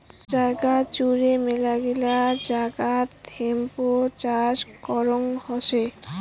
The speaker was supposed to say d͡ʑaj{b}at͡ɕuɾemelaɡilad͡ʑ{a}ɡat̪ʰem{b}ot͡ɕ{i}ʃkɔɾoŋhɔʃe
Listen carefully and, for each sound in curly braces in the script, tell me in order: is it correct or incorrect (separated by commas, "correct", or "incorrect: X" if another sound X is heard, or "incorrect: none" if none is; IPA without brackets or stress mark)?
incorrect: ɡ, correct, incorrect: p, incorrect: a